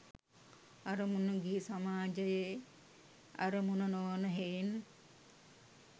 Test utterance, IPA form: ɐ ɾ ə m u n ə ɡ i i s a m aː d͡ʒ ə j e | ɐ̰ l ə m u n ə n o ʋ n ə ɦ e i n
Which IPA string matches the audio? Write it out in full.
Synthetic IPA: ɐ ɾ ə m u n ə ɡ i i s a m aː d͡ʒ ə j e | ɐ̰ ɾ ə m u n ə n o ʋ n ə ɦ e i n